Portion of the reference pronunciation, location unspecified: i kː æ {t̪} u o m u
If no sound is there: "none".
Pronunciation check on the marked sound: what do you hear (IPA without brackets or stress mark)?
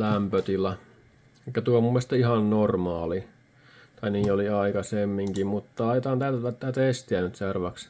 t̪